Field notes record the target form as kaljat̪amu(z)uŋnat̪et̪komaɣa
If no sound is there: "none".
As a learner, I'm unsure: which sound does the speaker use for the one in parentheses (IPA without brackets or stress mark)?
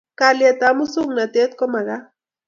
s